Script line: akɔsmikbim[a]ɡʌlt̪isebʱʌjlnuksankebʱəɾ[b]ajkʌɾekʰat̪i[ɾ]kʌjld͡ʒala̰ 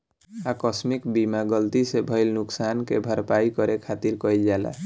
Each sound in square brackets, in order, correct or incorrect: correct, incorrect, correct

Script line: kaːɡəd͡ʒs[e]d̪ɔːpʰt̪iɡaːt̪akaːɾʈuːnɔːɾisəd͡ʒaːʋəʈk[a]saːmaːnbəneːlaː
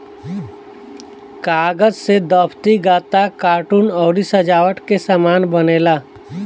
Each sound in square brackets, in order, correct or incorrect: correct, incorrect

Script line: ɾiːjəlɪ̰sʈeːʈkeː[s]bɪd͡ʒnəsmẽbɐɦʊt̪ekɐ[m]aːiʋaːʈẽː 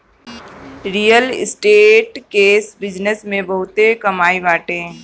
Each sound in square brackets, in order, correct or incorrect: correct, correct

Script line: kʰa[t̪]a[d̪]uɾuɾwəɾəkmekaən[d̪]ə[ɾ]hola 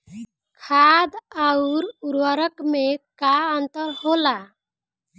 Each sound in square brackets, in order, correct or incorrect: incorrect, incorrect, incorrect, correct

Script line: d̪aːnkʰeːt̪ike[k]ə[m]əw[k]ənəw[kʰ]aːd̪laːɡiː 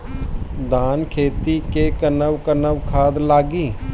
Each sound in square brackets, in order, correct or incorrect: correct, incorrect, correct, correct

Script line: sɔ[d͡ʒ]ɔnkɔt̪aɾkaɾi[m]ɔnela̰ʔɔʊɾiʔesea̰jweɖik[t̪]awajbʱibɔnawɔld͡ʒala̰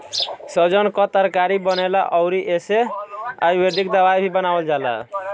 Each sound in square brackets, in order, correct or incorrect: correct, incorrect, incorrect

